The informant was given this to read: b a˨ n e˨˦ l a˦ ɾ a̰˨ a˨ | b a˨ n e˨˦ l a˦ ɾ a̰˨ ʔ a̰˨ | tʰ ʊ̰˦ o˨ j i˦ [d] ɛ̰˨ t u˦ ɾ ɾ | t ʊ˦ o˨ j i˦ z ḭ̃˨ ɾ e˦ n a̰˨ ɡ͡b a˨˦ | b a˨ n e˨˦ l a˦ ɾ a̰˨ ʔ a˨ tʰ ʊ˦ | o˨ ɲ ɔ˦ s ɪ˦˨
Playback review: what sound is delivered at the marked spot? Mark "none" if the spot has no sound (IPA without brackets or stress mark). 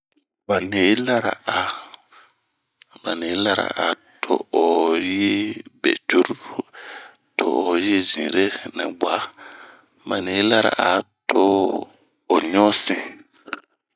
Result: b